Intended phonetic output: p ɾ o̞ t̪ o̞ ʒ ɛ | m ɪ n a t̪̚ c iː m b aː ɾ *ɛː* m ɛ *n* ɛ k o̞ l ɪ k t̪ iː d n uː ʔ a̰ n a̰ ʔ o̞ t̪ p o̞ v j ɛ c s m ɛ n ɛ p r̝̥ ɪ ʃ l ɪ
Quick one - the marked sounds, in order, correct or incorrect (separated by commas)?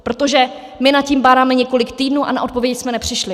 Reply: incorrect, incorrect